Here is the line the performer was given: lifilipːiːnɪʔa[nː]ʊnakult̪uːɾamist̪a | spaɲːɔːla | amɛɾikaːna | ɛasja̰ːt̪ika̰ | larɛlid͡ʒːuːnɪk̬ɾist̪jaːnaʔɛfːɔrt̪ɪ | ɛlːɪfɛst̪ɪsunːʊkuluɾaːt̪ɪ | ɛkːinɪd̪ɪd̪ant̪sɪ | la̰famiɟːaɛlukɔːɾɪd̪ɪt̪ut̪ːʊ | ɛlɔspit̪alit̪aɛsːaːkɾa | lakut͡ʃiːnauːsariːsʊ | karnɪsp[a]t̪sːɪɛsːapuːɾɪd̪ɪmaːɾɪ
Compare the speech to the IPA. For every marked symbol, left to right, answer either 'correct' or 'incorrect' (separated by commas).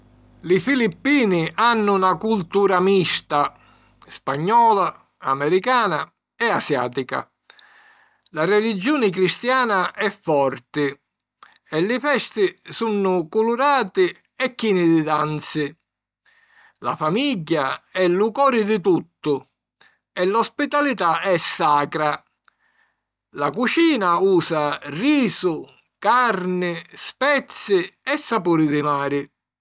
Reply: correct, incorrect